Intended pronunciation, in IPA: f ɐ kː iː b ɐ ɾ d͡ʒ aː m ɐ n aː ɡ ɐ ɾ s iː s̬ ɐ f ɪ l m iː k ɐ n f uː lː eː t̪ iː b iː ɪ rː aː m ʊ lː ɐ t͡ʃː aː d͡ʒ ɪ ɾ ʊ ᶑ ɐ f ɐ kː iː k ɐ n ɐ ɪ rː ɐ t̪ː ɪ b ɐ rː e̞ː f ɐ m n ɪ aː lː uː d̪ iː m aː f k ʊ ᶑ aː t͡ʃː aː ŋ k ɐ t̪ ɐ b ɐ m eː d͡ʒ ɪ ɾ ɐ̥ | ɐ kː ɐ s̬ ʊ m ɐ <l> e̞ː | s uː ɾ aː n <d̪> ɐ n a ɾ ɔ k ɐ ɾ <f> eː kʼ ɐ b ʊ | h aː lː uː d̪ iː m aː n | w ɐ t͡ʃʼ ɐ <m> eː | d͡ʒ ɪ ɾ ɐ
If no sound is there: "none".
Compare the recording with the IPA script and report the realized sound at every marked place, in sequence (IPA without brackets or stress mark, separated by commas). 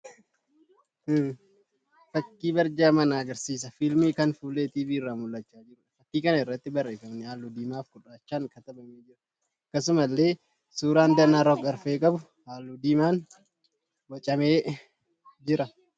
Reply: lː, d̪, f, m